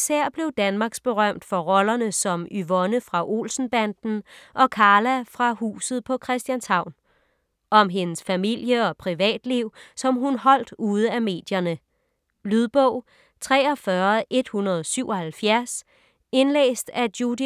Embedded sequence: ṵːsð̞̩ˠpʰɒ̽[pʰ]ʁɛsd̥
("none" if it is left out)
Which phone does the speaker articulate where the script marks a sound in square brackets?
kʰ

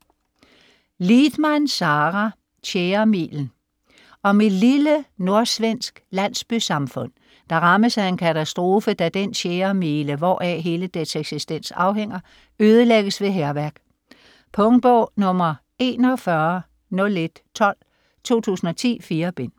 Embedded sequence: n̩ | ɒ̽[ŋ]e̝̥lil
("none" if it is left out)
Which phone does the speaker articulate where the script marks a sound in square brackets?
m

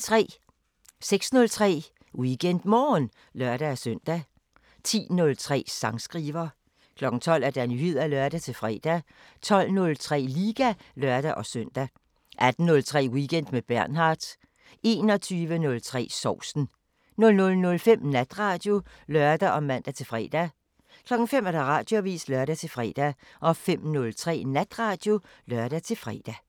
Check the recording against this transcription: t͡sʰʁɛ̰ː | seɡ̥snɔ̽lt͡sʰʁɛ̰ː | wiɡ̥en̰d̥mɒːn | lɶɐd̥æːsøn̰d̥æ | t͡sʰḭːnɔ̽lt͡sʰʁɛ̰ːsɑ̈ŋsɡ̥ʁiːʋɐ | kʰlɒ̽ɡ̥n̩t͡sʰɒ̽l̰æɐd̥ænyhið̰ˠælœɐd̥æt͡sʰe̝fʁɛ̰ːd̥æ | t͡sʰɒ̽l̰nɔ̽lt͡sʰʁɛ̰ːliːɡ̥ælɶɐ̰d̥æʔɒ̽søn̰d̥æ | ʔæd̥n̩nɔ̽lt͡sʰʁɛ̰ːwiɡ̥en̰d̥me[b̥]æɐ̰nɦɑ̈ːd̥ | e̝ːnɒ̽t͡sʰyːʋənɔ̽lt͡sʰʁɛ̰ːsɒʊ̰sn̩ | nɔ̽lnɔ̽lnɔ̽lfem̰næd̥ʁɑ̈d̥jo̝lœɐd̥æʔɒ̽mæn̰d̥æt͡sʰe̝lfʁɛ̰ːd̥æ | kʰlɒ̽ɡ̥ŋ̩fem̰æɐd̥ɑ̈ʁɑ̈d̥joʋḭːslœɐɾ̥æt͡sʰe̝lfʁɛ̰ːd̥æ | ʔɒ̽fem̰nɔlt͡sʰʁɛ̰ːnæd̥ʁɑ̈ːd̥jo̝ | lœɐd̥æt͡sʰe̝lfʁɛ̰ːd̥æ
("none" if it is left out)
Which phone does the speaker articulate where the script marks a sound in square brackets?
b̥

